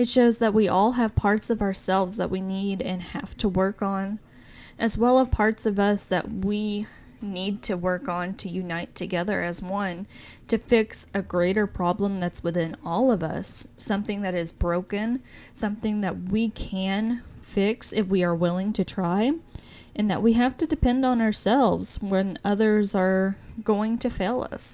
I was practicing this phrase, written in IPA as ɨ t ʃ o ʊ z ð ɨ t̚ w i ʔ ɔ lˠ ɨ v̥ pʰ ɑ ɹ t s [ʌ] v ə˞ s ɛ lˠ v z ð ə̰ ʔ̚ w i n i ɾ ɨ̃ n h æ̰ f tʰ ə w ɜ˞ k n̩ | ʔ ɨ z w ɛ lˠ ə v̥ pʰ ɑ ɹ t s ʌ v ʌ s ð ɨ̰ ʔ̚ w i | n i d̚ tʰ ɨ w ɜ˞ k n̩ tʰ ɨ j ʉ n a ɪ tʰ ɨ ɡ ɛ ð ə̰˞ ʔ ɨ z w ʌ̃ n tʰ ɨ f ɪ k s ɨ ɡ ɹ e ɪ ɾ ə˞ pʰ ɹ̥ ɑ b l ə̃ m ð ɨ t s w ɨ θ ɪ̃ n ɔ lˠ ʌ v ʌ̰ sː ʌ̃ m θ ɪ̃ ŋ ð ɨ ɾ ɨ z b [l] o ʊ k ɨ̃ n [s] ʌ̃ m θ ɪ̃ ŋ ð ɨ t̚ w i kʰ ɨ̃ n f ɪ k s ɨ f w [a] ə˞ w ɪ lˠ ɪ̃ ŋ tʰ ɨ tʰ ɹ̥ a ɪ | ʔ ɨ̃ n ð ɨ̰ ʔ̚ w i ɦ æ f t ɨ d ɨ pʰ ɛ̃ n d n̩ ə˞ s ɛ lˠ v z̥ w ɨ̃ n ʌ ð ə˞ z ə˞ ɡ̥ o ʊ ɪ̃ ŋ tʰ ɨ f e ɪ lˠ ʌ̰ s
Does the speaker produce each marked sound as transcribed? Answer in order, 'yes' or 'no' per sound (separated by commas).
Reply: yes, no, yes, no